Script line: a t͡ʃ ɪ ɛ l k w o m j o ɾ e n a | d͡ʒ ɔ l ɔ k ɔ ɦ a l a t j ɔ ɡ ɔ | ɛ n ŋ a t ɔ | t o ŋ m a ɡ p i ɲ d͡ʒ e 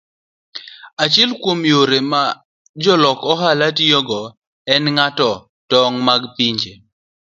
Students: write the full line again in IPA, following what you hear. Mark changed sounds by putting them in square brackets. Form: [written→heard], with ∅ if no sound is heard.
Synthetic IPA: a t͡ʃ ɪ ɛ l k w o m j o ɾ e [n→m] a | d͡ʒ ɔ l ɔ k ɔ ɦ a l a t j ɔ ɡ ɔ | ɛ n ŋ a t ɔ | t [o→ɔ] ŋ m a ɡ p i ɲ d͡ʒ e